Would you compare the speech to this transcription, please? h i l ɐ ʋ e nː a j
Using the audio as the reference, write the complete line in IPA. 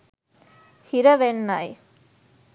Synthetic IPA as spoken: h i ɾ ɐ ʋ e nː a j